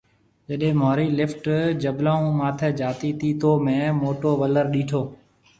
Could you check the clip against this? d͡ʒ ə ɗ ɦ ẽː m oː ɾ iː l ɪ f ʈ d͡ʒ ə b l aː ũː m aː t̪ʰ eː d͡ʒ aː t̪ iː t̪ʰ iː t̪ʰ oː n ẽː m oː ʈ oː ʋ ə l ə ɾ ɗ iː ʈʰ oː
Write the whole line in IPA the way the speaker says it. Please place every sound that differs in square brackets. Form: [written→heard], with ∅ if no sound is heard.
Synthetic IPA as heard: d͡ʒ ə ɗ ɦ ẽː m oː ɾ iː l ɪ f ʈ d͡ʒ ə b l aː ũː m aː t̪ʰ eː d͡ʒ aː t̪ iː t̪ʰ iː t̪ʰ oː [n→m] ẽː m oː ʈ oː ʋ ə l ə ɾ ɗ iː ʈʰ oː